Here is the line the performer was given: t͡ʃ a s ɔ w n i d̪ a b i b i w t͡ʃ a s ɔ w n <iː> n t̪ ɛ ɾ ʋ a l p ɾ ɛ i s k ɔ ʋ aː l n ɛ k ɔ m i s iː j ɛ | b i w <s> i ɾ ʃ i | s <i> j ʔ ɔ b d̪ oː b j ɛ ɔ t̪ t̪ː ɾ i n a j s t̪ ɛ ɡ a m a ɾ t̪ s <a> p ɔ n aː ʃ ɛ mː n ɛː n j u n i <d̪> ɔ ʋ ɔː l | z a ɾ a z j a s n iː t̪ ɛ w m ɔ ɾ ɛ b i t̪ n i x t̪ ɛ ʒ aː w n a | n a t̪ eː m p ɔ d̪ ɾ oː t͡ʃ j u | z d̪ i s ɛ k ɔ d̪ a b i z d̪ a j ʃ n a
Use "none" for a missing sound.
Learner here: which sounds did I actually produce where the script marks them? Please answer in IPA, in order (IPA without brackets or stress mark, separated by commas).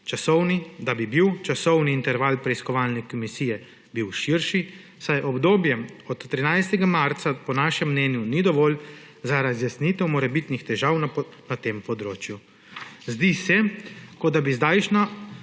iː, ʃ, a, a, d̪